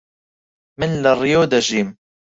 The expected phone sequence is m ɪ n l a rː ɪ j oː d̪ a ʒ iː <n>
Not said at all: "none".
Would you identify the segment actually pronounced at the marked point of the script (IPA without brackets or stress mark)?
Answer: m